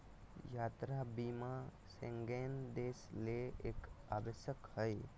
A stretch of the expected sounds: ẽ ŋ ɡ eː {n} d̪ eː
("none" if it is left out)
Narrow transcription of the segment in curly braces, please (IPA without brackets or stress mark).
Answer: n